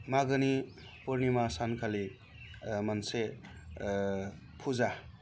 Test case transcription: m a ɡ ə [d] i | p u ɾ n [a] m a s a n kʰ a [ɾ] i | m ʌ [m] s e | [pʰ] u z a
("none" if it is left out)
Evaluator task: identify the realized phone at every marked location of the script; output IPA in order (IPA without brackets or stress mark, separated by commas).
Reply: n, i, l, n, pʰ